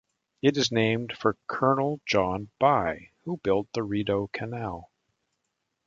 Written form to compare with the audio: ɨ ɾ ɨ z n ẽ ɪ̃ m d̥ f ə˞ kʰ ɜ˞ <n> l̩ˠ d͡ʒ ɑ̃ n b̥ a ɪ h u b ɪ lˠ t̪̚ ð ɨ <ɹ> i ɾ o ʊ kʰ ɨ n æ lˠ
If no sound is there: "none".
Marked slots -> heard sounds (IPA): n, ɹ

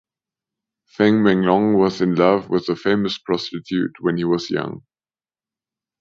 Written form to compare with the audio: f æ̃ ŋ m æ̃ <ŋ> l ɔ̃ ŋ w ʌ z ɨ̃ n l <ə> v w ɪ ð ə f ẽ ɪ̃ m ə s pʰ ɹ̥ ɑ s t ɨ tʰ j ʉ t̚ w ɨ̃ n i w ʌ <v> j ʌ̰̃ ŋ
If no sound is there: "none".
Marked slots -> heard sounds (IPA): ŋ, ʌ, z

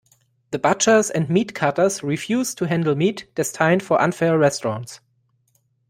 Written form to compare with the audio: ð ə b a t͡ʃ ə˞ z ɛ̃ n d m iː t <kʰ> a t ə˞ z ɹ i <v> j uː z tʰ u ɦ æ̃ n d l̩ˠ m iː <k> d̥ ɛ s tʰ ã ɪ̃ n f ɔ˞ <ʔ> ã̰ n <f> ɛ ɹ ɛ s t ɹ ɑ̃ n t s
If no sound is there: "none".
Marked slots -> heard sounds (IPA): kʰ, f, t, ʔ, f

